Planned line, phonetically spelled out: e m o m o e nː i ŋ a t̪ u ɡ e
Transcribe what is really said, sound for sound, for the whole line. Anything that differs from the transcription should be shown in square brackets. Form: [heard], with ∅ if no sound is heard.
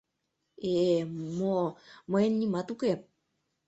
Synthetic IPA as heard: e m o m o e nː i [m] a t̪ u [k] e

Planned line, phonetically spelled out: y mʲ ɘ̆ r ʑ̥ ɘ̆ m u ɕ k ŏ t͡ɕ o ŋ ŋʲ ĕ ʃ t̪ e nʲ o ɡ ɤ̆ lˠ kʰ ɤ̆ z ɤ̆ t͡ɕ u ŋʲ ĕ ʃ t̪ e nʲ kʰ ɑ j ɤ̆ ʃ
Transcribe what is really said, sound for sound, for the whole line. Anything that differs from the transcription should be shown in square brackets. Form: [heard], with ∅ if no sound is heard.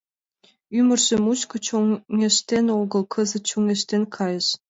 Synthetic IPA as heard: y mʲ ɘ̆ r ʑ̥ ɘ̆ m u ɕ k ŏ t͡ɕ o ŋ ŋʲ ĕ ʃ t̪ e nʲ o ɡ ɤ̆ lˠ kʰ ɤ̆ z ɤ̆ t͡ɕ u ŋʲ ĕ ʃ t̪ e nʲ kʰ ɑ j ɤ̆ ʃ

